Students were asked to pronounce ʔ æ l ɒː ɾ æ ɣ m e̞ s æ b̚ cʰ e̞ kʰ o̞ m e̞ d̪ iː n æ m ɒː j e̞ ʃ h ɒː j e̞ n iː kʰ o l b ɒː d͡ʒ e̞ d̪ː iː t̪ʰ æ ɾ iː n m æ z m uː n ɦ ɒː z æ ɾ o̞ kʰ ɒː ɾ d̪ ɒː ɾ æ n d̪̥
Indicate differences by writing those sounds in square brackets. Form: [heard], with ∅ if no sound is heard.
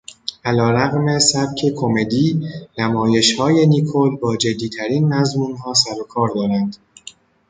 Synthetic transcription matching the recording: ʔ æ l ɒː ɾ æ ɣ m e̞ s æ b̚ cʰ e̞ kʰ o̞ m e̞ d̪ iː n æ m ɒː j e̞ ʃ h ɒː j e̞ n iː kʰ o l b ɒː d͡ʒ e̞ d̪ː iː t̪ʰ æ ɾ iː n m æ z m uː n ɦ ɒː [s] æ ɾ o̞ kʰ ɒː ɾ d̪ ɒː ɾ æ n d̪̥